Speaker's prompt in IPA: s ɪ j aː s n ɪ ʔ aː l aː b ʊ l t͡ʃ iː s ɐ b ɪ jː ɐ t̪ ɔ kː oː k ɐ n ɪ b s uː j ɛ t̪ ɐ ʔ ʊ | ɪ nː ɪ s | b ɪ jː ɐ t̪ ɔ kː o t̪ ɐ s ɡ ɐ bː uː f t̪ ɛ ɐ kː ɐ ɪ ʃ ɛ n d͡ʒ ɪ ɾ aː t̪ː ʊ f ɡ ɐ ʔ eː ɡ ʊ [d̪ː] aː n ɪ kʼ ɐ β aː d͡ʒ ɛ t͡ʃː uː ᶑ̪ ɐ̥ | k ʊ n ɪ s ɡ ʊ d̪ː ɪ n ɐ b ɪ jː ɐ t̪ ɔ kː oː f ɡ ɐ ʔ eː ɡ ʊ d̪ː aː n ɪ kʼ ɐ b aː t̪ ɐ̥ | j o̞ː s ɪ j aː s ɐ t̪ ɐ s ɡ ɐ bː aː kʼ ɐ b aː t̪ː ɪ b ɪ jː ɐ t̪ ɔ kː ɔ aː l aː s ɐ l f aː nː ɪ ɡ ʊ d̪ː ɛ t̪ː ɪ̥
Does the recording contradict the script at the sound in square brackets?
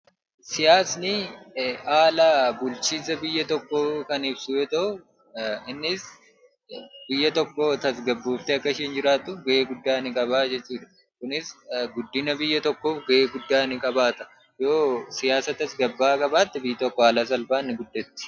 no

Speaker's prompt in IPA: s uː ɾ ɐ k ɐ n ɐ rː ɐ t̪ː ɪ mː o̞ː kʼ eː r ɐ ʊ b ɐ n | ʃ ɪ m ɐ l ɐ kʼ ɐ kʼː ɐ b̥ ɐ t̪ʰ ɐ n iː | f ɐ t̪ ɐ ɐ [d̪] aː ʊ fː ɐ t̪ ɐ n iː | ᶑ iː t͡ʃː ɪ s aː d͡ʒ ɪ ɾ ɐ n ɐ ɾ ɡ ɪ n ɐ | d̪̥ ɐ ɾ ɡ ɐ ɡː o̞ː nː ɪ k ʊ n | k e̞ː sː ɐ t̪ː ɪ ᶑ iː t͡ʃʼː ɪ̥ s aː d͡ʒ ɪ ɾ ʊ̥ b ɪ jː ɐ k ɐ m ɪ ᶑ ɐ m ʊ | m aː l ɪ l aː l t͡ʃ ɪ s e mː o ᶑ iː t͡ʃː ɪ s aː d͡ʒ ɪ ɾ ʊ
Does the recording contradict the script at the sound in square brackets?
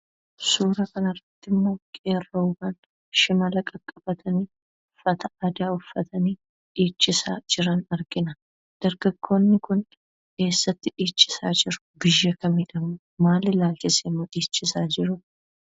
no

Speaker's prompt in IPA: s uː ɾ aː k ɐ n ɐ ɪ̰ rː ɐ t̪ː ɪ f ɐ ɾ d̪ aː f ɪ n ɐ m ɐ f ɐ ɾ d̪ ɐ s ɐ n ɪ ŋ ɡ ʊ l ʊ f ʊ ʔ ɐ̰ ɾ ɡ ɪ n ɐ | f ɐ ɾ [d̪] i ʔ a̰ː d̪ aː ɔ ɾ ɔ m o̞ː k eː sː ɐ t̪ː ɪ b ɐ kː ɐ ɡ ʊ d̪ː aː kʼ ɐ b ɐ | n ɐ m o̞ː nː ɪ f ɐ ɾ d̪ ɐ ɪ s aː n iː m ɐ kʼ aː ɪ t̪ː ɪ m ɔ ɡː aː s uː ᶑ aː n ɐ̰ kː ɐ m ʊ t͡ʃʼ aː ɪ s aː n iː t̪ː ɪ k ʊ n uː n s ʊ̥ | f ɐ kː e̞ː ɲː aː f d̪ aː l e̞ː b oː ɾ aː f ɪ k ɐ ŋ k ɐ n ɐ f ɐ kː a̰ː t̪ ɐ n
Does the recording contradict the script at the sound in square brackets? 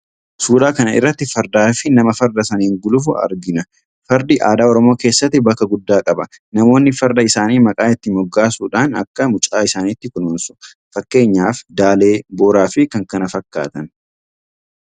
no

